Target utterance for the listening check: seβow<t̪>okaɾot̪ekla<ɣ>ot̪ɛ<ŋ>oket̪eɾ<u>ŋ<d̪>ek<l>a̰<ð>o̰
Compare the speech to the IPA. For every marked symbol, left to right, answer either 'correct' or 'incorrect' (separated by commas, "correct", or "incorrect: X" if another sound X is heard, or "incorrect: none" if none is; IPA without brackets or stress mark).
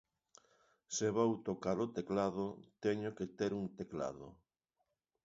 correct, incorrect: ð, incorrect: ɲ, correct, incorrect: t̪, correct, correct